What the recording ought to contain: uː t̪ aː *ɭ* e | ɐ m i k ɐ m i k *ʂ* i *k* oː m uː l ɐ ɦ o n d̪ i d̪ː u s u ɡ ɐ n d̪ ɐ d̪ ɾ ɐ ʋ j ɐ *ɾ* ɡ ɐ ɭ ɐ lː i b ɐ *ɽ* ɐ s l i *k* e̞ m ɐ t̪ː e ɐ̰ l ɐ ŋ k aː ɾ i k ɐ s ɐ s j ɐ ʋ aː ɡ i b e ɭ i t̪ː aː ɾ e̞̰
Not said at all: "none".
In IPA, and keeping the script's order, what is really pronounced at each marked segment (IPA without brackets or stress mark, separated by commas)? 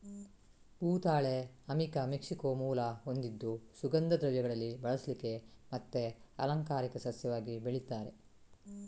ɭ, ʂ, k, none, ɭ, k